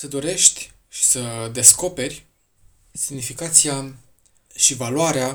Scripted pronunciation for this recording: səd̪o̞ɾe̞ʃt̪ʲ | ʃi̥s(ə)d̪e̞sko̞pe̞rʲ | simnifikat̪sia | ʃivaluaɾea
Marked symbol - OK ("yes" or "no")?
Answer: yes